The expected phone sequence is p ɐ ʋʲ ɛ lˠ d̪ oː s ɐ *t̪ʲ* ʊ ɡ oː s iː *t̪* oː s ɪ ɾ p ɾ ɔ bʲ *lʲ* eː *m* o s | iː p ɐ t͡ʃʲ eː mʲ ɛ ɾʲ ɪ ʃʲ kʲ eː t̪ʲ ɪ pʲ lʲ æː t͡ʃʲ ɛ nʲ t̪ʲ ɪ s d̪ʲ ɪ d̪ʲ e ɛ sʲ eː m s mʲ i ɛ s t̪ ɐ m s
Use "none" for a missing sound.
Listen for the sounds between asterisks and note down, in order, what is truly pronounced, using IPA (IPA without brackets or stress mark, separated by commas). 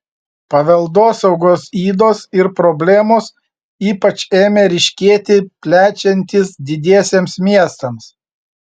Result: none, d̪, lʲ, m